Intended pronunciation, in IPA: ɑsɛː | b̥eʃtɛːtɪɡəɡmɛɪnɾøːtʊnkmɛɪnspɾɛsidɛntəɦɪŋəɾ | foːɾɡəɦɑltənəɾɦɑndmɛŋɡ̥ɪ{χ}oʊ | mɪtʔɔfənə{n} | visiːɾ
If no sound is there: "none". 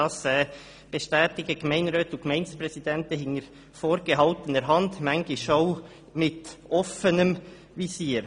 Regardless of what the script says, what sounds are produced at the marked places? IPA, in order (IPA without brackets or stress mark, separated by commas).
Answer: ʃ, m